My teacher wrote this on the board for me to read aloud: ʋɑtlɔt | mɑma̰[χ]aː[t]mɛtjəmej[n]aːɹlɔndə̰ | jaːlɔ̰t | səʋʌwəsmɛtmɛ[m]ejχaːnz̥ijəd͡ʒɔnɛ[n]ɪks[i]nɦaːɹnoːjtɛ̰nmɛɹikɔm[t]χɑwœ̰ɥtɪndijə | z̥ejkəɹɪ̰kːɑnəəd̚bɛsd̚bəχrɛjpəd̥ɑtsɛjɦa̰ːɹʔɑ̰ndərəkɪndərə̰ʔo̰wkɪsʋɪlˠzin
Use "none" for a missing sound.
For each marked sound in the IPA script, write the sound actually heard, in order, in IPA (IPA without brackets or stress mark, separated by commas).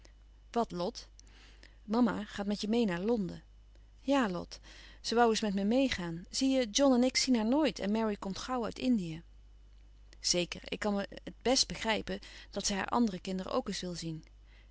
χ, t, n, m, n, i, t